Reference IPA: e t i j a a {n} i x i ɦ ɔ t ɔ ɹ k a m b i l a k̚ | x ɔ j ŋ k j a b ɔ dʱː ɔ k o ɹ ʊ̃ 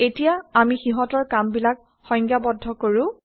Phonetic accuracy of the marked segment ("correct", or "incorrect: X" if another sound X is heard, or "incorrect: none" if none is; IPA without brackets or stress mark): incorrect: m